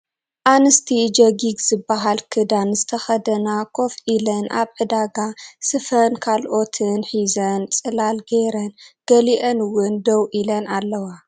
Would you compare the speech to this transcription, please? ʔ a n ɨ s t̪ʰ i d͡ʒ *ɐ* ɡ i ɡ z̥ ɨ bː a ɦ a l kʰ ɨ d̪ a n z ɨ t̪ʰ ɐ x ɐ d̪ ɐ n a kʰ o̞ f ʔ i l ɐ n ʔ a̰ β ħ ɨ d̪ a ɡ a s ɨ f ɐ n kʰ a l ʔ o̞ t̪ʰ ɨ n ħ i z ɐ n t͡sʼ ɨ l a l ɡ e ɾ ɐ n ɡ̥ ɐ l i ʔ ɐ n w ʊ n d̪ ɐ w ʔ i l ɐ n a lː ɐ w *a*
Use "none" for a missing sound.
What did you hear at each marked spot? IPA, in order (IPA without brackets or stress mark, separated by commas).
ɐ, a